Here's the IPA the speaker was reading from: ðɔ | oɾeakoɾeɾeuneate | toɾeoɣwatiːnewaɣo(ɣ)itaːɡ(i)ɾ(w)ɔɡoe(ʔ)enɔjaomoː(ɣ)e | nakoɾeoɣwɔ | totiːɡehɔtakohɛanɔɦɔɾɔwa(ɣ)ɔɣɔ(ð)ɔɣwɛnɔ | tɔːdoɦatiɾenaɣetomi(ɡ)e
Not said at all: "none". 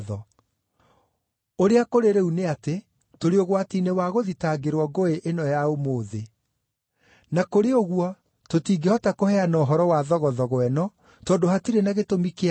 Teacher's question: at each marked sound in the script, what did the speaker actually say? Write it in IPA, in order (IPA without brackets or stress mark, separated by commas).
ð, e, w, ʔ, ð, ð, ð, k